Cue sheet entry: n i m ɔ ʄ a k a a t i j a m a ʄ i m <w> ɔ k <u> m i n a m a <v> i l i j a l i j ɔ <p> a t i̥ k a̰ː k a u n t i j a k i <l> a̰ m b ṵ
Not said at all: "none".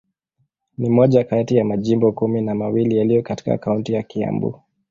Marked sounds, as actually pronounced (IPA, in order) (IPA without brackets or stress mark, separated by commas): b, u, w, k, none